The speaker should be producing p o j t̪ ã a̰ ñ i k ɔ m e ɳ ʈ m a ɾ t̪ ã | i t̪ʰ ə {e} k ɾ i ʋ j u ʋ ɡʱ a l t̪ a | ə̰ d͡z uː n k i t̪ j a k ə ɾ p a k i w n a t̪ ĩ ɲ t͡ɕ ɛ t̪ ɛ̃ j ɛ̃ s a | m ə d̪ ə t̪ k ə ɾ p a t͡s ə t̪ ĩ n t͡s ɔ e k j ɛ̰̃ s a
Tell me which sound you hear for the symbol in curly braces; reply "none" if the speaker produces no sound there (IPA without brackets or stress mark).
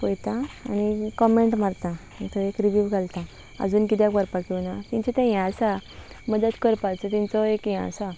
e